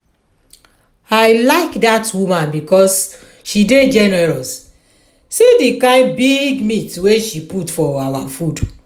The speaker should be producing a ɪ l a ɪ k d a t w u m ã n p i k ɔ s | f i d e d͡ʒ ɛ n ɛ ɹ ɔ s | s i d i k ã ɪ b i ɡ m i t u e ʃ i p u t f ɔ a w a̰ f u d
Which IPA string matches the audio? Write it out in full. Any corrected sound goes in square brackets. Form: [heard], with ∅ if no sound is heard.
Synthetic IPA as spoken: a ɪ l a ɪ k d a t w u m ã n [b] i k ɔ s | [ʃ] i d e d͡ʒ ɛ n ɛ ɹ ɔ s | s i d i k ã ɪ b i ɡ m i t [w] e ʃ i p u t f ɔ a w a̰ f u d